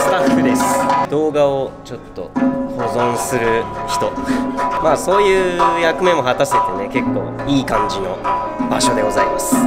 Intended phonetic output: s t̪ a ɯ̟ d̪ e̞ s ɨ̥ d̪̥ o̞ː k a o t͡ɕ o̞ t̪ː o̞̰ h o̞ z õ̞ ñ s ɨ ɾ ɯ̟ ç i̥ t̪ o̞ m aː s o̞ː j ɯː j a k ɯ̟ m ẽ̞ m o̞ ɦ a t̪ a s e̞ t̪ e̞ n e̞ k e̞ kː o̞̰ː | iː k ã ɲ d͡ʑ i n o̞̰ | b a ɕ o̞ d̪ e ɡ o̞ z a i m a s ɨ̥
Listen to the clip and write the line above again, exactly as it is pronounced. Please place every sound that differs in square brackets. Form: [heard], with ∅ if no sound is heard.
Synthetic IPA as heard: s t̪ a ɯ̟ d̪ e̞ s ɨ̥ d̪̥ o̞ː [ɡ] a o t͡ɕ o̞ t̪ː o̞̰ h o̞ z õ̞ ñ s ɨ ɾ ɯ̟ ç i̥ t̪ o̞ m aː s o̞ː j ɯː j a k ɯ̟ m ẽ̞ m o̞ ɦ a t̪ a s e̞ t̪ e̞ n e̞ k e̞ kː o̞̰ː | iː k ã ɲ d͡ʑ i n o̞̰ | b a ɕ o̞ d̪ e ɡ o̞ z a i m a s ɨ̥

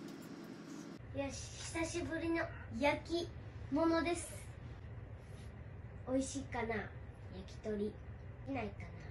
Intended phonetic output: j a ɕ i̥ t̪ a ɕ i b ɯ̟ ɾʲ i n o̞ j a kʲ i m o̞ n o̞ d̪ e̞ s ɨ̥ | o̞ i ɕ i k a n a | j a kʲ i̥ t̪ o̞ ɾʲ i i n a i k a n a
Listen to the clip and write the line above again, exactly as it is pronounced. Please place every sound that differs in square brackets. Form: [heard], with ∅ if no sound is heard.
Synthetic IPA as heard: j a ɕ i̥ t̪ a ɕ i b ɯ̟ ɾʲ i n o̞ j a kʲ i m o̞ n o̞ d̪ e̞ s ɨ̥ | o̞ i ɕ i k a n a | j a kʲ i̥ t̪ o̞ ɾʲ i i n a i k a n a

